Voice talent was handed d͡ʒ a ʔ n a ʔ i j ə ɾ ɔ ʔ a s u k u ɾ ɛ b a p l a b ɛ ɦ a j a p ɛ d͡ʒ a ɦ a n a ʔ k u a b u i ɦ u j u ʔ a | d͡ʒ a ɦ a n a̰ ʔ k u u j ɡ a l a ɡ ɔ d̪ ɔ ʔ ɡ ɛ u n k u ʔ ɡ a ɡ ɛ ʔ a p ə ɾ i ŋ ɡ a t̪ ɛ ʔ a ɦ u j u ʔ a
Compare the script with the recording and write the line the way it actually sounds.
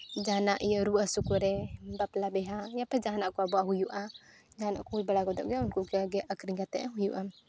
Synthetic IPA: d͡ʒ a n a ʔ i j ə ɾ u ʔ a s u k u ɾ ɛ b a p l a b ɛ ɦ a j a p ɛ d͡ʒ a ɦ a n a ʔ k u a b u a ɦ u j u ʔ a | d͡ʒ a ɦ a n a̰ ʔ k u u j b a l a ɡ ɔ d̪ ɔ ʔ ɡ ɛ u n k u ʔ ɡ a ɡ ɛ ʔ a k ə ɾ i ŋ ɡ a t̪ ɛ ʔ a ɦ u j u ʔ a